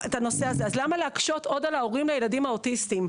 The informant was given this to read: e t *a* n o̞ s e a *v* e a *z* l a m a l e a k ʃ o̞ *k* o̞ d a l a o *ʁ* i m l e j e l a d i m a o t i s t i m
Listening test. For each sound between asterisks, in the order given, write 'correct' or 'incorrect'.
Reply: correct, incorrect: z, correct, incorrect: t, correct

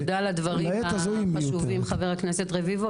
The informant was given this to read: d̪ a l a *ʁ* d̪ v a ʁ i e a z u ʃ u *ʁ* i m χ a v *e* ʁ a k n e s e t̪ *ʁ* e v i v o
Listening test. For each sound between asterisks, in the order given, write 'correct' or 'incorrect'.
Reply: incorrect: none, incorrect: v, correct, correct

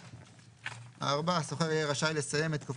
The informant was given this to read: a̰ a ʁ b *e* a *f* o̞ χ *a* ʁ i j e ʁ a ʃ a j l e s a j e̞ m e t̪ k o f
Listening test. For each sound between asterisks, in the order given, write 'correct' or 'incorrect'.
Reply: incorrect: a, incorrect: s, incorrect: e

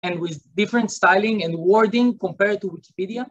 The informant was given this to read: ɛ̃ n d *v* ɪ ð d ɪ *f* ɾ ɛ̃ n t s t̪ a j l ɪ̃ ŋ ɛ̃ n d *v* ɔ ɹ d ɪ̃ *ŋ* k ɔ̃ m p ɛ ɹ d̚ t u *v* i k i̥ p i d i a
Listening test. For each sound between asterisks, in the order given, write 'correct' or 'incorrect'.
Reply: incorrect: w, correct, incorrect: w, correct, incorrect: w

